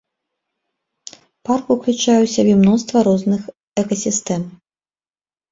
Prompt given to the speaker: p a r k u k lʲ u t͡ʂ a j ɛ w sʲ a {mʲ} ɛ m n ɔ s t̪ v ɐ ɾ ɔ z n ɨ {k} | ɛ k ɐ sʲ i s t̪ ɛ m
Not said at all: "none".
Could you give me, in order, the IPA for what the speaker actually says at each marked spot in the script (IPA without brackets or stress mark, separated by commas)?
bʲ, x